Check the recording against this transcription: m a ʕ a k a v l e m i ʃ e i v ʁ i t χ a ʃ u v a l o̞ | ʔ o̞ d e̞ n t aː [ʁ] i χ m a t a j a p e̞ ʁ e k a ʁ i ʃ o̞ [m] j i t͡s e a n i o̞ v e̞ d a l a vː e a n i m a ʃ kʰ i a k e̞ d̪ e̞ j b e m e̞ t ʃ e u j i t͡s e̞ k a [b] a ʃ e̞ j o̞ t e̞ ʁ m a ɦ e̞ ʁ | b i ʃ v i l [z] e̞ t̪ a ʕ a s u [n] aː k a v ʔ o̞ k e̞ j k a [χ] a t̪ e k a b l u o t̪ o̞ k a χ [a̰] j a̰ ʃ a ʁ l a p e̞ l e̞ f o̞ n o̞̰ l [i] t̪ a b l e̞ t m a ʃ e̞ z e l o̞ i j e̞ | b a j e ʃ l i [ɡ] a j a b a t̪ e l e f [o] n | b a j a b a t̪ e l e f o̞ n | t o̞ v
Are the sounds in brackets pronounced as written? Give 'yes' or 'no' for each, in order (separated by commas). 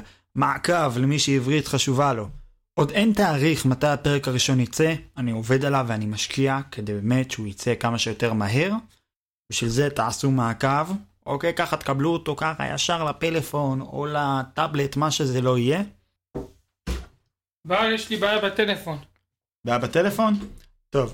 yes, no, no, yes, no, yes, yes, no, no, yes